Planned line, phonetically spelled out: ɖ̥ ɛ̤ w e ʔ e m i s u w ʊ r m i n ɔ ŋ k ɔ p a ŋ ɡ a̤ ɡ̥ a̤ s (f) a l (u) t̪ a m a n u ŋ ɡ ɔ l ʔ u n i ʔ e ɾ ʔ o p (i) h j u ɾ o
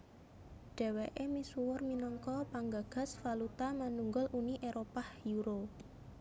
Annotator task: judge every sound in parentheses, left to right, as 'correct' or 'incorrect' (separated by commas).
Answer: correct, correct, incorrect